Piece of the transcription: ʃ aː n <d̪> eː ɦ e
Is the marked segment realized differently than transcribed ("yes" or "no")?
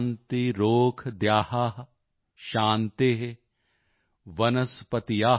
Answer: yes